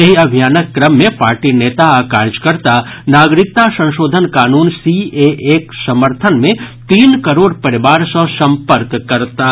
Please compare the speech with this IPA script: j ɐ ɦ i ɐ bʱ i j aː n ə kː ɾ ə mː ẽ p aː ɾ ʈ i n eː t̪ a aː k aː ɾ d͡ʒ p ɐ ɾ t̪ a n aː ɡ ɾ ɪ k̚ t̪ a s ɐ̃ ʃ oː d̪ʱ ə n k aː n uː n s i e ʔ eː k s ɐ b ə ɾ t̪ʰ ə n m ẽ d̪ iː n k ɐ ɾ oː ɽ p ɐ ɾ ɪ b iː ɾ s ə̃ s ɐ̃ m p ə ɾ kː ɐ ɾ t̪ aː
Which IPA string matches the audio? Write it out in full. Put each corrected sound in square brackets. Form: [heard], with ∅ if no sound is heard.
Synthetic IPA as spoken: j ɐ ɦ i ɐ bʱ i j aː n ə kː ɾ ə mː ẽ p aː ɾ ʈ i n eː t̪ a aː k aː ɾ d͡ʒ [k] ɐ ɾ t̪ a n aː ɡ ɾ ɪ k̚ t̪ a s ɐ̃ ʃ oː d̪ʱ ə n k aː n uː n s i e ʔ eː k s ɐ [m] ə ɾ t̪ʰ ə n m ẽ [t̪] iː n k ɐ ɾ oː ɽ p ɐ ɾ ɪ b [aː] ɾ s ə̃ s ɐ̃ m p ə ɾ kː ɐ ɾ t̪ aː